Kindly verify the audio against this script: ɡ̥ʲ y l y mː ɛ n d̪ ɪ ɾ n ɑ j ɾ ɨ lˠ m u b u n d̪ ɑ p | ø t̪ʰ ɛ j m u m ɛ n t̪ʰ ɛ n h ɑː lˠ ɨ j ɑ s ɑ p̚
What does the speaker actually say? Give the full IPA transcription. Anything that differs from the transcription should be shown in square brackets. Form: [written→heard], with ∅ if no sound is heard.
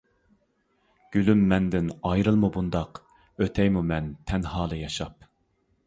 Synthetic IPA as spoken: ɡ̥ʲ y l y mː ɛ n d̪ ɪ [ɾ→∅] n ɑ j ɾ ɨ lˠ m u b u n d̪ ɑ [p→q] | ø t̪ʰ ɛ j m u m ɛ n t̪ʰ ɛ n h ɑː lˠ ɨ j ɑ [s→ʃ] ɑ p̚